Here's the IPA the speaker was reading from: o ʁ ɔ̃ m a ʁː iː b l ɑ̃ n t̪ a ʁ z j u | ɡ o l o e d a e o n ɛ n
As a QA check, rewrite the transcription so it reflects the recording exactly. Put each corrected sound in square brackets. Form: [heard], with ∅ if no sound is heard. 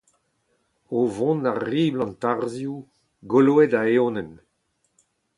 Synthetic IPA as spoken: o [v] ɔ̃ [n] a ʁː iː b l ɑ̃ n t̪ a ʁ z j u | ɡ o l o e d a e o n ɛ n